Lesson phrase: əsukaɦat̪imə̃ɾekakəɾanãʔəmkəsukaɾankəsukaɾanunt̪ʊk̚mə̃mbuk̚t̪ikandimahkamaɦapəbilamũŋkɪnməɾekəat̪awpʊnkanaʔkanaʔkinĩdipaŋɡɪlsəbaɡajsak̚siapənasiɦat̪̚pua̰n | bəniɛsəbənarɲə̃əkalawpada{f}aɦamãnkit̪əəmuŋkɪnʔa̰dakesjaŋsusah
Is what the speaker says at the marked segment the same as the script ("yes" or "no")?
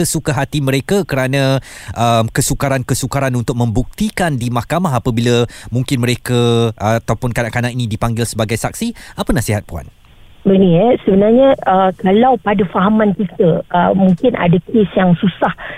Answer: yes